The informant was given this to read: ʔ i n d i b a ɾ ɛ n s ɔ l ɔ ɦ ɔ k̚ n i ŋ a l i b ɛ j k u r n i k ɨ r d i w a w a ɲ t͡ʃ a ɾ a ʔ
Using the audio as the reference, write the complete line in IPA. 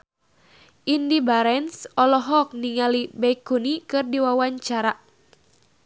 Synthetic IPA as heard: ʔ i n d i b a ɾ ɛ n s ɔ l ɔ ɦ ɔ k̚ n i ŋ a l i b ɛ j k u n i k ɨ r d i w a w a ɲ t͡ʃ a ɾ a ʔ